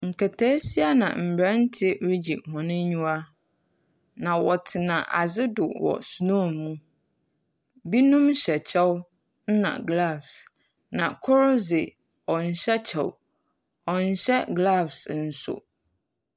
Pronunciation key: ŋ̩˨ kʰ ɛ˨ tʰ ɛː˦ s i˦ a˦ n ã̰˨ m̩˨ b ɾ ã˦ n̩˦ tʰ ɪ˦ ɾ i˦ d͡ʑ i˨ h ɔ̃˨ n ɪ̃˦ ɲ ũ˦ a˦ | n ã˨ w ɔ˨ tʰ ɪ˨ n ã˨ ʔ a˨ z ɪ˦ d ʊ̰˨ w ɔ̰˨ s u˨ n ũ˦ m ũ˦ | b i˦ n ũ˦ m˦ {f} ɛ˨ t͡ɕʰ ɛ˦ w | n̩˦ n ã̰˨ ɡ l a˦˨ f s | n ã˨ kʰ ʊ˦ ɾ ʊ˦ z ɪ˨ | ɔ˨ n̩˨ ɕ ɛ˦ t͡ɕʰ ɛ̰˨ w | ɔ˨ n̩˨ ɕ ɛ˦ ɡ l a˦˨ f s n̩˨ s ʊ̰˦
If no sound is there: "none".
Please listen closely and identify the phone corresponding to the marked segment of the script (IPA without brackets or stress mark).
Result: ɕ